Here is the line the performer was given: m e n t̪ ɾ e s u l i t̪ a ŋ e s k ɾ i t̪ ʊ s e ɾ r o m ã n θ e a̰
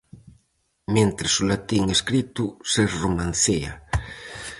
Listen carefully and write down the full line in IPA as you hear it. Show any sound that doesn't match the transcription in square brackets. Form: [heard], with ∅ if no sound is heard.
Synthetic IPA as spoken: m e n t̪ ɾ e s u l [a] t̪ [i] ŋ e s k ɾ i t̪ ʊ s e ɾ r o m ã n θ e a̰